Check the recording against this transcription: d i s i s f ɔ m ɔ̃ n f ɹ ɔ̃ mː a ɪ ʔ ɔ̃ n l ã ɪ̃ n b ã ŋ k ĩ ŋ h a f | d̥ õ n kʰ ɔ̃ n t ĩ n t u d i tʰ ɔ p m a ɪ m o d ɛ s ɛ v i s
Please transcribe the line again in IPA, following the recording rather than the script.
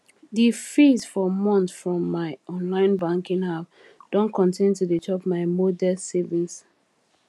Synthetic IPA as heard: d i f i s f ɔ m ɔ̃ n f ɹ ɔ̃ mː a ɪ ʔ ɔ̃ n l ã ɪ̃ n b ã ŋ k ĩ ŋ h a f | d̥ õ n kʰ ɔ̃ n t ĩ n t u d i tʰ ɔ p m a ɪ m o d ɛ s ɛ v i s